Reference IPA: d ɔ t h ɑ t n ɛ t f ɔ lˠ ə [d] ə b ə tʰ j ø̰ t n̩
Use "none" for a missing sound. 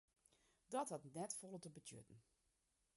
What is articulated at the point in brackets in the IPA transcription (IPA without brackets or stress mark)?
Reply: t